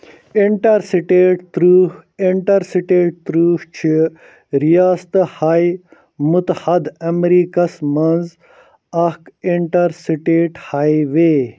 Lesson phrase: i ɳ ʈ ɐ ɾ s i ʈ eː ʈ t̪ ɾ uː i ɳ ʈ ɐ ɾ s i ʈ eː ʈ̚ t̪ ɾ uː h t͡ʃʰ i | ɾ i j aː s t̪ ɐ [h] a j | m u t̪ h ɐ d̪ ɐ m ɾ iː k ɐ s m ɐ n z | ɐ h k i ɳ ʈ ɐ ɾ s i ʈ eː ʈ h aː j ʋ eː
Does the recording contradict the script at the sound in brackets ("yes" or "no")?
no